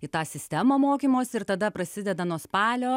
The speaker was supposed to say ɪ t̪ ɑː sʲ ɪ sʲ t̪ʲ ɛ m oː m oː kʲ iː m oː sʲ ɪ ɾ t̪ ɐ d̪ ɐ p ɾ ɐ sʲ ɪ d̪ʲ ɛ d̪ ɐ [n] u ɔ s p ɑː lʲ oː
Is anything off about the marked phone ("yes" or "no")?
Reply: no